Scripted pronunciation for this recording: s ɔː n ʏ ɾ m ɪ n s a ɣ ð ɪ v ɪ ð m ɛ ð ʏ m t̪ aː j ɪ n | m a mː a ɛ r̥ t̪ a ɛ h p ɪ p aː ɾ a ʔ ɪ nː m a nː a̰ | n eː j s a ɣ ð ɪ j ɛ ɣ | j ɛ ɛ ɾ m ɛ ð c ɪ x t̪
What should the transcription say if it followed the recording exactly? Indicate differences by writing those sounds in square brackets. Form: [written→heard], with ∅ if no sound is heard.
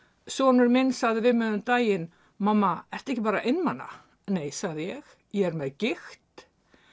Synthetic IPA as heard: s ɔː n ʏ ɾ m ɪ n s a ɣ ð ɪ v ɪ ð m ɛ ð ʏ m t̪ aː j ɪ n | m a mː a ɛ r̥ t̪ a ɛ h [p→c] ɪ p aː ɾ a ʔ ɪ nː m a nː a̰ | n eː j s a ɣ ð ɪ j ɛ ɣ | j ɛ ɛ ɾ m ɛ ð c ɪ x t̪